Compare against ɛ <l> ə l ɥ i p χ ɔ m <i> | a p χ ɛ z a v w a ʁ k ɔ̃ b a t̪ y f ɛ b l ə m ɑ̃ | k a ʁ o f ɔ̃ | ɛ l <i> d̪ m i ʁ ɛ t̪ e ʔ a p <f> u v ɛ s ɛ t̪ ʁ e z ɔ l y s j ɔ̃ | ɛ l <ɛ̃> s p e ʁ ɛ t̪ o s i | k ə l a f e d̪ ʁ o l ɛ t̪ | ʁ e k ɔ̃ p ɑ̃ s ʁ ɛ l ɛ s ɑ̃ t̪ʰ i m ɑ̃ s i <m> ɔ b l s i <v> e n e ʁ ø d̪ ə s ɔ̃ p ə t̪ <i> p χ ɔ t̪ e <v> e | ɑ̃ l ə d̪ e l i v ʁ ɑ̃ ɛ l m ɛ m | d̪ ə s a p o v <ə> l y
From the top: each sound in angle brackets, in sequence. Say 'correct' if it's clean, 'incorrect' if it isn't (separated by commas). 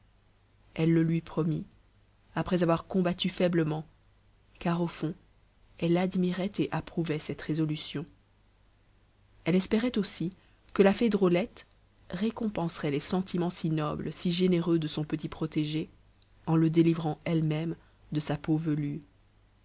incorrect, correct, incorrect, incorrect, incorrect, incorrect, incorrect, correct, incorrect, correct